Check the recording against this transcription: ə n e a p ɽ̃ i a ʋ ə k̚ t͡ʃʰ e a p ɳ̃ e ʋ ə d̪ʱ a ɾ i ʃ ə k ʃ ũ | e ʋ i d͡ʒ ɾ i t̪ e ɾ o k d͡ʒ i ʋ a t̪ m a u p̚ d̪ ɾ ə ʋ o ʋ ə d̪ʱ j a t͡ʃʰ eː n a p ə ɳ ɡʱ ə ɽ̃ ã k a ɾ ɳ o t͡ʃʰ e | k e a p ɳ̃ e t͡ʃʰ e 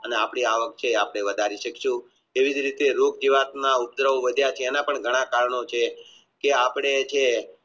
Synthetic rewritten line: ə n e a p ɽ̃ i a ʋ ə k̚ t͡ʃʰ e a p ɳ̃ e ʋ ə d̪ʱ a ɾ i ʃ ə k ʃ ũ | e ʋ i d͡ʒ ɾ i t̪ e ɾ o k d͡ʒ i ʋ a t̪ n a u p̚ d̪ ɾ ə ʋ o ʋ ə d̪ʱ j a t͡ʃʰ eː n a p ə ɳ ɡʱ ə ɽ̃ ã k a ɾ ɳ o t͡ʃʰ e | k e a p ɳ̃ e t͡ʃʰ e